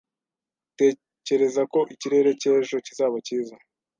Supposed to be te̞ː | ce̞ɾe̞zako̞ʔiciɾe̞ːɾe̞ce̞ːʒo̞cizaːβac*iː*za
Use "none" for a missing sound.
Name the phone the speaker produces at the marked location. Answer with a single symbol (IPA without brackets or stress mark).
iː